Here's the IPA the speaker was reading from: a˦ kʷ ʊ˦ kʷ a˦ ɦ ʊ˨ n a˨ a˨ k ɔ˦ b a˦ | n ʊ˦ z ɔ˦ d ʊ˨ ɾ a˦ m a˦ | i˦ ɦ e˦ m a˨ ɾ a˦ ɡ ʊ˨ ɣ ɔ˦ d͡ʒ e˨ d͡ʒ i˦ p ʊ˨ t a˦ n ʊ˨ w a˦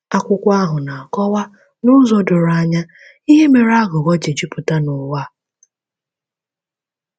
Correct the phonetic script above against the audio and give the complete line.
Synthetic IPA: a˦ kʷ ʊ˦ kʷ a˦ ɦ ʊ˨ n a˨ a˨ k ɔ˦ w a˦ | n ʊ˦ z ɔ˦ d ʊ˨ ɾ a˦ ɲ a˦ | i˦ ɦ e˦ m e˨ ɾ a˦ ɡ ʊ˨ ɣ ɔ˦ d͡ʒ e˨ d͡ʒ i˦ p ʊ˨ t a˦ n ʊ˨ w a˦

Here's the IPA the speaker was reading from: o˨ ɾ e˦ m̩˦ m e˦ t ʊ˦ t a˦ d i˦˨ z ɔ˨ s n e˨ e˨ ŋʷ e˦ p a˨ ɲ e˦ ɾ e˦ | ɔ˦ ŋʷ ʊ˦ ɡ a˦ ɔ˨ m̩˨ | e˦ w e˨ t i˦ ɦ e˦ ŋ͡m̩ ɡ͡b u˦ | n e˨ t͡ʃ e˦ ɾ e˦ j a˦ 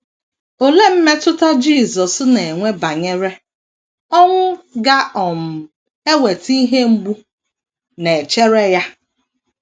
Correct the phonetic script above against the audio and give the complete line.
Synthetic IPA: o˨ l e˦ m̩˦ m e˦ t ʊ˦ t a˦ d͡ʒ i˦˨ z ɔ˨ s n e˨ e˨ ŋʷ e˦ b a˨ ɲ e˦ ɾ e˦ | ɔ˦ ŋʷ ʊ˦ ɡ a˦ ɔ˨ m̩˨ | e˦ w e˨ t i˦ ɦ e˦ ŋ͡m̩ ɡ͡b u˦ | n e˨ t͡ʃ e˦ ɾ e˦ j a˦

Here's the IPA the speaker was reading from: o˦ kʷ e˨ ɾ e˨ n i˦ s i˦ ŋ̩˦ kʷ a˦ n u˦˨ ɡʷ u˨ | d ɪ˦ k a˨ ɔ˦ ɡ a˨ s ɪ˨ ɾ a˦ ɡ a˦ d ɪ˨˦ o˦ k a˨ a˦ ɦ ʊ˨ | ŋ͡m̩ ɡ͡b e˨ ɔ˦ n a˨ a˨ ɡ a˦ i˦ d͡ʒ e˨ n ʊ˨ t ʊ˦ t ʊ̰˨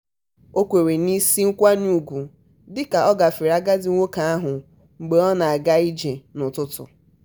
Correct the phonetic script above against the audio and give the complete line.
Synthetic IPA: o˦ kʷ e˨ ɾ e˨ n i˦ s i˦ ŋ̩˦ kʷ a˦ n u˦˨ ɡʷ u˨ | d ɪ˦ k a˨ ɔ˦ ɡ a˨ f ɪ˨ ɾ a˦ ɡ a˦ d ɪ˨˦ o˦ k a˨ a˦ ɦ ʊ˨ | ŋ͡m̩ ɡ͡b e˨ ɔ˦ n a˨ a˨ ɡ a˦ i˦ d͡ʒ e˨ n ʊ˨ t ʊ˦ t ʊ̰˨

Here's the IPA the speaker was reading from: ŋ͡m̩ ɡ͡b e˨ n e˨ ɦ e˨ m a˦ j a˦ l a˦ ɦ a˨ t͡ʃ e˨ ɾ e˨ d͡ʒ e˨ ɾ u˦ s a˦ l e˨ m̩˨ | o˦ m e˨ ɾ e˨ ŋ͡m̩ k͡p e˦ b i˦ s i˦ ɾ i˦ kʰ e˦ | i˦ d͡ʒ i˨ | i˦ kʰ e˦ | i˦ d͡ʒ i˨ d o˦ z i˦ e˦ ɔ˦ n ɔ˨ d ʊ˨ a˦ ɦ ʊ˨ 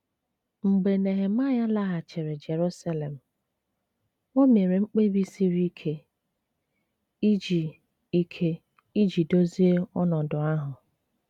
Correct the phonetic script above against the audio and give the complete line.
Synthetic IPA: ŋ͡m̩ ɡ͡b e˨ n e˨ ɦ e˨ m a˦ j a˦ l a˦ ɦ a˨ t͡ʃ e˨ ɾ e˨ d͡ʒ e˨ ɾ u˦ s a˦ l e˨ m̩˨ | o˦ m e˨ ɾ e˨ ŋ͡m̩ k͡p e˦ b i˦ s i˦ ɾ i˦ kʰ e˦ | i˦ d͡ʒ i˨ | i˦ kʰ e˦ | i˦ d͡ʒ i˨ d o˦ z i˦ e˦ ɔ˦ n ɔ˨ d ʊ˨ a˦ ɦ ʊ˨

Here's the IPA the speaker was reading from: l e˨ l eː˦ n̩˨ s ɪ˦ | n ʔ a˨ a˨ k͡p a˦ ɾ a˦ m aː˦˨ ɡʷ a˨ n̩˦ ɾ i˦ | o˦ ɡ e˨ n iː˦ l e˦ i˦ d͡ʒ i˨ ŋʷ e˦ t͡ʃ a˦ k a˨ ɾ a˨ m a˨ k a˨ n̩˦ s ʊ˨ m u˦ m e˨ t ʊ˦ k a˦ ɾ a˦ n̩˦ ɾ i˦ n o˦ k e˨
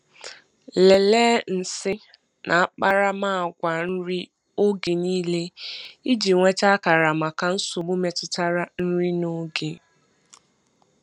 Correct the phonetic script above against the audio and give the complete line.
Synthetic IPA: l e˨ l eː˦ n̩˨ s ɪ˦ | n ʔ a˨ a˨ k͡p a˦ ɾ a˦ m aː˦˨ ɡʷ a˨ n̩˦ ɾ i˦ | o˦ ɡ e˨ n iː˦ l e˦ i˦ d͡ʒ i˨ ŋʷ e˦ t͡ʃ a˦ k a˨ ɾ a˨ m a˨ k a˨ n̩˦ s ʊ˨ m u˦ m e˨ t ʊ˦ t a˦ ɾ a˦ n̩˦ ɾ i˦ n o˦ ɡ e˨

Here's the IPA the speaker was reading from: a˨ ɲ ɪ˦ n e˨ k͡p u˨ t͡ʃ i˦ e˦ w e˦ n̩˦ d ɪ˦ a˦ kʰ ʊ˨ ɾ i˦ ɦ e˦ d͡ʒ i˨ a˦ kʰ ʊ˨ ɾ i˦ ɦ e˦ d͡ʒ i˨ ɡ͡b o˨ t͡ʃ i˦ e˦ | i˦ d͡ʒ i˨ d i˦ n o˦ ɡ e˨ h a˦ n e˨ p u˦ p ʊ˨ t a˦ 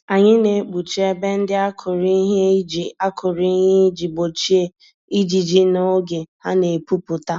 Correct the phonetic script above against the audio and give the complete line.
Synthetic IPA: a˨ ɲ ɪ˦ n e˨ k͡p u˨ t͡ʃ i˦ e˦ b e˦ n̩˦ d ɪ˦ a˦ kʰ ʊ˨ ɾ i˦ ɦ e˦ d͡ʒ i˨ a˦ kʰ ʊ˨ ɾ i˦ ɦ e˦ d͡ʒ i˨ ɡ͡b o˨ t͡ʃ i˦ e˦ | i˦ d͡ʒ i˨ d͡ʒ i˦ n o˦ ɡ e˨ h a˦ n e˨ p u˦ p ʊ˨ t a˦

